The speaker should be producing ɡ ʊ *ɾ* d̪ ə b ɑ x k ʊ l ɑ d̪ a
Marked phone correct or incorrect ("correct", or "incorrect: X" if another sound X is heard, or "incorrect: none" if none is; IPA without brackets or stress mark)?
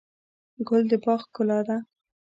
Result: incorrect: l